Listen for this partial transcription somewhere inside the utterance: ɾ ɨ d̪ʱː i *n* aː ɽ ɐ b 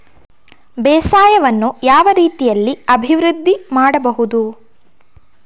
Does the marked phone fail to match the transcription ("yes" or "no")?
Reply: yes